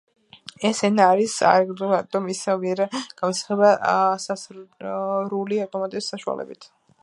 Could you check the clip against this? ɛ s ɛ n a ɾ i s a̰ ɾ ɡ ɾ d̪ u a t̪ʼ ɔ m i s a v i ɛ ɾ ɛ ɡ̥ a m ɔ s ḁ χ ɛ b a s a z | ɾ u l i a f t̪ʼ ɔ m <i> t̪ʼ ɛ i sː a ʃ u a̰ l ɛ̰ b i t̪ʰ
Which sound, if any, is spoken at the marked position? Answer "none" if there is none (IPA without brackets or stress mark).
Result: a